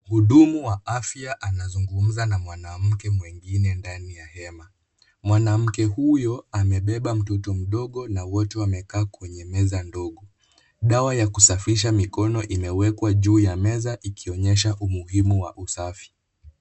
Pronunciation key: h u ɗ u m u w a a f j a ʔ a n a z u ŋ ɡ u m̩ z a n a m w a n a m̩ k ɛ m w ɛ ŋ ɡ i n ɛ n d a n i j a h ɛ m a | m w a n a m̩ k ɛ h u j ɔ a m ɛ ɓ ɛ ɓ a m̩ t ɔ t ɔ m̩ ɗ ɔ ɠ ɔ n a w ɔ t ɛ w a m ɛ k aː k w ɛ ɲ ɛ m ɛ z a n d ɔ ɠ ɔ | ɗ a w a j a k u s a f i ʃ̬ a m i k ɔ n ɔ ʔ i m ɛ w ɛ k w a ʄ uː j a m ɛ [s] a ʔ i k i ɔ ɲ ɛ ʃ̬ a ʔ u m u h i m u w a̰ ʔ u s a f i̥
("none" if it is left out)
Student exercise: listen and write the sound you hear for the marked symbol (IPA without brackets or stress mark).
z